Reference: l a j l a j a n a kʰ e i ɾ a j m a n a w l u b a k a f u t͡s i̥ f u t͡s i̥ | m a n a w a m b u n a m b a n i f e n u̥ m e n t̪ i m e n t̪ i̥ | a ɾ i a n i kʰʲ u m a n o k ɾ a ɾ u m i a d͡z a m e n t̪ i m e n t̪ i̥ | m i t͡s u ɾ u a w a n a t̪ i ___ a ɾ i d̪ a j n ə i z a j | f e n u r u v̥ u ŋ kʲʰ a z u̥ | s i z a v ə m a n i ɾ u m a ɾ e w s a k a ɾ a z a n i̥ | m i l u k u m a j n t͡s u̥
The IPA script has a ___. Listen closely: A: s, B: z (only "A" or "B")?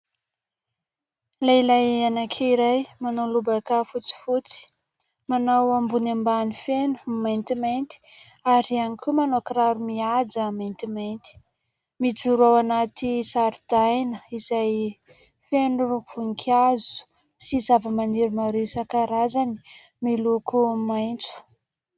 A